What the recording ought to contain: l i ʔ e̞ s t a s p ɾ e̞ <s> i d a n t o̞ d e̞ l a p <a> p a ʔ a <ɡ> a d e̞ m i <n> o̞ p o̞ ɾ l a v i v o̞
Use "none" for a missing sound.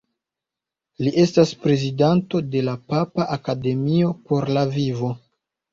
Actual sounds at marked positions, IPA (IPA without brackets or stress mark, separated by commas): z, a, k, none